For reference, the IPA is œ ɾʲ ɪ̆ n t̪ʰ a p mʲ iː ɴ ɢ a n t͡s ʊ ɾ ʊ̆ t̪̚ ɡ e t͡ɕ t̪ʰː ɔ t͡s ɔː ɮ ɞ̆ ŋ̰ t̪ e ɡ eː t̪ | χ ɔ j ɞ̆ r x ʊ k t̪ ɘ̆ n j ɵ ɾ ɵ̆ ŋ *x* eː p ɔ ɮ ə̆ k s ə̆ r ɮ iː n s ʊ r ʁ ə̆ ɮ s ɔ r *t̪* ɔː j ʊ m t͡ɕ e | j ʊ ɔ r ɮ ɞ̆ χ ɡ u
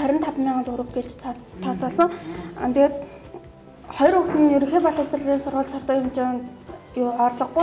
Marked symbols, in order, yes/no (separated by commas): yes, yes